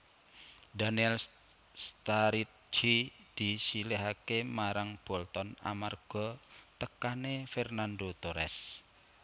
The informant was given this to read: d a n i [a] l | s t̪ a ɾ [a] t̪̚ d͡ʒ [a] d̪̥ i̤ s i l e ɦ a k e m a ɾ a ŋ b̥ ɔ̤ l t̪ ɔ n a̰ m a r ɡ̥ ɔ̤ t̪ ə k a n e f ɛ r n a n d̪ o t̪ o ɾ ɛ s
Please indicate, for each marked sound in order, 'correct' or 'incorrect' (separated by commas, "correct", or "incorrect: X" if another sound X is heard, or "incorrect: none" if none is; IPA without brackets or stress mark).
incorrect: ɛ, incorrect: i, incorrect: i